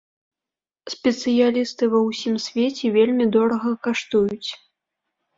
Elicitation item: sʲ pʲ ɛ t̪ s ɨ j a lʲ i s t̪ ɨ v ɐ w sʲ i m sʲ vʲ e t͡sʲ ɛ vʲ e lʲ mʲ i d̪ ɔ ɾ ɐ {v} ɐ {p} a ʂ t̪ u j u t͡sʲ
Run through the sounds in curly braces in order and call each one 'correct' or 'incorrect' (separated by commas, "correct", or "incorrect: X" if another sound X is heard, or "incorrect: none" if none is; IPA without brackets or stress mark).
incorrect: ɣ, incorrect: k